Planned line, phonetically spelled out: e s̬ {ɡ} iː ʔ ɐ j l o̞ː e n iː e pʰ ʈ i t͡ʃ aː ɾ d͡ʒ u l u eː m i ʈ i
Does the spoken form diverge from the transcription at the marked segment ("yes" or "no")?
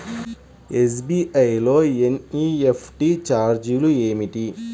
yes